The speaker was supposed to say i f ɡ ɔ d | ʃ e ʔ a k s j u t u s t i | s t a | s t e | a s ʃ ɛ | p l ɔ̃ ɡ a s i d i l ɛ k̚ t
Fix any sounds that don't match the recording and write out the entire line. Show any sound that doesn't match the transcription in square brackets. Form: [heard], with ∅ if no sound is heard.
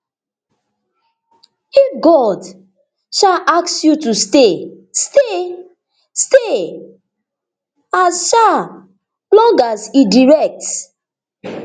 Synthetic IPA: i f ɡ ɔ d | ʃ [a] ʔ a k s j u t u s t [e] | s t [e] | s t e | a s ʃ [a] | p l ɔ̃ ɡ a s i d i [ɹ] ɛ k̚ t